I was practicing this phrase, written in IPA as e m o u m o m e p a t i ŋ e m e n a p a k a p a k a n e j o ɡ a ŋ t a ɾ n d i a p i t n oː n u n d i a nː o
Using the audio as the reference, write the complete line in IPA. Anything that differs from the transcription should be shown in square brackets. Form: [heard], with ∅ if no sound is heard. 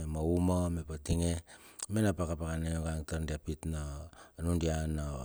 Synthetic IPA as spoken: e m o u m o m e p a t i ŋ e m e n a p a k a p a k a n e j o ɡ a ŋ t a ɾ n d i a p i t n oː n u n d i a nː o